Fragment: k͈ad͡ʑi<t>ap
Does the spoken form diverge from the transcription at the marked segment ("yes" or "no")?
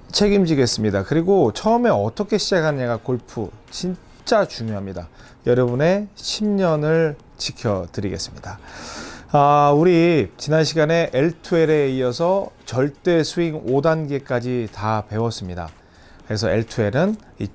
no